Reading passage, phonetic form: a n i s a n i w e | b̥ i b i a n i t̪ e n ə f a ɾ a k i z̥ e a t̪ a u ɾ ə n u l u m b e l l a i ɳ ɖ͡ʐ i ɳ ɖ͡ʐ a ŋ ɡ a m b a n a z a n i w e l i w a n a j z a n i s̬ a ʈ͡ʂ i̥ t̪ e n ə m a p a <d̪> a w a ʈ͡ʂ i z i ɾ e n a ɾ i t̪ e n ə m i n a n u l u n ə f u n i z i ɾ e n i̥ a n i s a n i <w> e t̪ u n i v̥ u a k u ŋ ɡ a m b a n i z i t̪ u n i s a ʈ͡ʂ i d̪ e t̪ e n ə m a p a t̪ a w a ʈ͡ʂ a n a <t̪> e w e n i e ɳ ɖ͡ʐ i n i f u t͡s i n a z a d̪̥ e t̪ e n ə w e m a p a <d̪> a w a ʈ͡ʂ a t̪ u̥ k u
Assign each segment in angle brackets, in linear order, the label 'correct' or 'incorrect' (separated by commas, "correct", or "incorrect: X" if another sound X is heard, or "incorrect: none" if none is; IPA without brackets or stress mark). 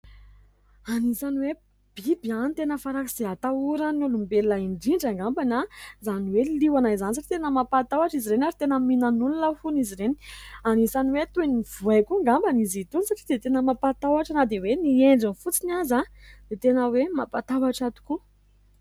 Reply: incorrect: t̪, correct, incorrect: d̪, incorrect: t̪